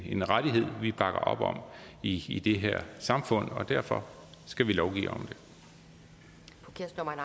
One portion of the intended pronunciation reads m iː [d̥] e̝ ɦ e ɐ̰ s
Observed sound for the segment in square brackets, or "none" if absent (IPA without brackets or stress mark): d̥